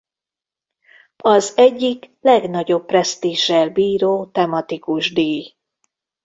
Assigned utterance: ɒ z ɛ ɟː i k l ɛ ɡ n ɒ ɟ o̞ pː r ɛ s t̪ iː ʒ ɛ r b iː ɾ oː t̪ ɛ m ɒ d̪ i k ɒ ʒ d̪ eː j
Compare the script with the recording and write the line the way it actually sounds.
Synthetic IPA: ɒ z ɛ ɟː i k l ɛ ɡ n ɒ ɟ o̞ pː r ɛ s t̪ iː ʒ ɛ l b iː ɾ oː t̪ ɛ m ɒ t̪ i k u ʒ d̪ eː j